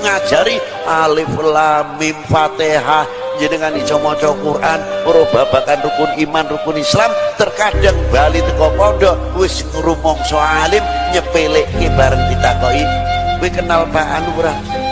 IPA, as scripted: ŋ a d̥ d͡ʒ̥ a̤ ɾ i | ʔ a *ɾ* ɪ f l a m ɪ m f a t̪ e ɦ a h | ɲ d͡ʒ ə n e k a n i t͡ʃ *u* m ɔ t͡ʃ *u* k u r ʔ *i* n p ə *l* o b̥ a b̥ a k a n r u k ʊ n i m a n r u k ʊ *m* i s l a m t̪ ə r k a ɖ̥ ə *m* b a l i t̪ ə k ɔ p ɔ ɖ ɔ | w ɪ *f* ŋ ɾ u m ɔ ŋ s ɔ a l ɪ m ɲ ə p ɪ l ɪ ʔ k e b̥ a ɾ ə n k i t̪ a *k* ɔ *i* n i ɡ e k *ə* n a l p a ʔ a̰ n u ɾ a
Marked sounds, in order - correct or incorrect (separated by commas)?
incorrect, incorrect, incorrect, incorrect, incorrect, incorrect, incorrect, incorrect, correct, correct, correct